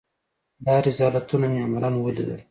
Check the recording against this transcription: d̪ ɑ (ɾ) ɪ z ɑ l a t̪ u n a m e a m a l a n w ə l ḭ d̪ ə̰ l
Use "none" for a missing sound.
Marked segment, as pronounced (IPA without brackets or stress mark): ɾ